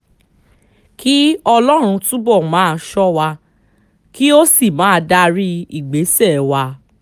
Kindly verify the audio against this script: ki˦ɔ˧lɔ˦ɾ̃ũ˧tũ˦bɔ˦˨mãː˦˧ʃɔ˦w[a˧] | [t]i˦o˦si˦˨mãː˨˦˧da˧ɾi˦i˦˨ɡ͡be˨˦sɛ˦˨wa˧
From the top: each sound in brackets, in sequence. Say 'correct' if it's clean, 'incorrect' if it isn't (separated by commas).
correct, incorrect